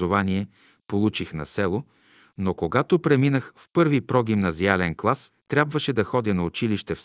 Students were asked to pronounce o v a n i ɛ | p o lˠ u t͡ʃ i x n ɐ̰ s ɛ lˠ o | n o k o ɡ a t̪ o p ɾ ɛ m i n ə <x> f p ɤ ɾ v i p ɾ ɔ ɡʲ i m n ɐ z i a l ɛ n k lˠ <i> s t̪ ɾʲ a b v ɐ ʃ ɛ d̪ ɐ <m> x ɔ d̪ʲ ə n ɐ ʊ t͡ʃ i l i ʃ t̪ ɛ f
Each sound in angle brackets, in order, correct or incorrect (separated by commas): correct, incorrect, incorrect